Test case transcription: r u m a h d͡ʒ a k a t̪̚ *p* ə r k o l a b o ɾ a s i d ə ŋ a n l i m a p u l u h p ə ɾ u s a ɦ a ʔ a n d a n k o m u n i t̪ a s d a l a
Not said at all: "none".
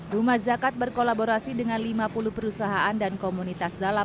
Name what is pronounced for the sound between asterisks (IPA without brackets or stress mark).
b